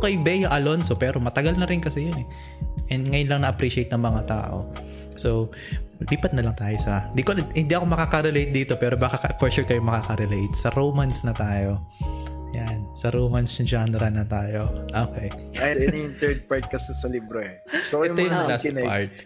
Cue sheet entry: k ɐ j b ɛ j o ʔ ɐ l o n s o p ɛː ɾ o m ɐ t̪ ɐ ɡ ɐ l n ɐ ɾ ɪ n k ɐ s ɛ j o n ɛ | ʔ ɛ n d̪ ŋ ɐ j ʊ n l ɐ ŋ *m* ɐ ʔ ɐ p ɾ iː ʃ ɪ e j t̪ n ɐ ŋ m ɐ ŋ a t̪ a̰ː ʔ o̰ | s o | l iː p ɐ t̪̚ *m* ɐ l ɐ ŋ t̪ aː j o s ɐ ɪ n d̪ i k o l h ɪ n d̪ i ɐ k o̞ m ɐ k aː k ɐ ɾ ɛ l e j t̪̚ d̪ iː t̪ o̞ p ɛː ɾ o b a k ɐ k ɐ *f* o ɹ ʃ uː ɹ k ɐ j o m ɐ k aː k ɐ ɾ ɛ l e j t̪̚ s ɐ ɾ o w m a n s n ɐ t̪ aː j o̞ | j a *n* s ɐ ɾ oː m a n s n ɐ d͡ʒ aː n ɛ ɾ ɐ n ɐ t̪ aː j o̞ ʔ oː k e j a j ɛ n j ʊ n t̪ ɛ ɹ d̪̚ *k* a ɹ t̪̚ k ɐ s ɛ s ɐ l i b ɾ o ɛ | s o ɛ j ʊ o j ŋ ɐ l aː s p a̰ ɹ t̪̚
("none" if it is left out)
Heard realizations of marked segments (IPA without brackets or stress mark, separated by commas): n, n, f, n, p